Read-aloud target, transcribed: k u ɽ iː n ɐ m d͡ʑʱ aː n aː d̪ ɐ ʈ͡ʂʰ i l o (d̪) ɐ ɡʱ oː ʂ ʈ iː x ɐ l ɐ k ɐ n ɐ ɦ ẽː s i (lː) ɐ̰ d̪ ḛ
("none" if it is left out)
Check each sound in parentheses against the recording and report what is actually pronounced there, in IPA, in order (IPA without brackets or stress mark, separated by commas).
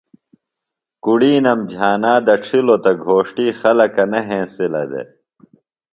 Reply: t̪, l